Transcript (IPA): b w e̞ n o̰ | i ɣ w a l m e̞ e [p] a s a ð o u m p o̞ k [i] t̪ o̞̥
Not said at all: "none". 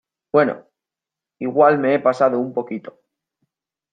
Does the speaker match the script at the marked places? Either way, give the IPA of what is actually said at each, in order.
p, i

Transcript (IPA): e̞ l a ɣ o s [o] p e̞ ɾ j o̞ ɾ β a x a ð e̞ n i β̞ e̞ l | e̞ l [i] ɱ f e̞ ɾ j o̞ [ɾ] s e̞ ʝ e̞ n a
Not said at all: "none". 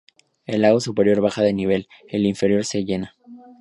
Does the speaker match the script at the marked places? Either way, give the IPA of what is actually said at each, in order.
u, i, ɾ

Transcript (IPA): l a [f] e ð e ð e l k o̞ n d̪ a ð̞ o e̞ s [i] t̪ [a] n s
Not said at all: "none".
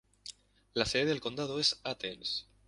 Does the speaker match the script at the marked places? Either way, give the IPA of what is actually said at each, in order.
s, a, e

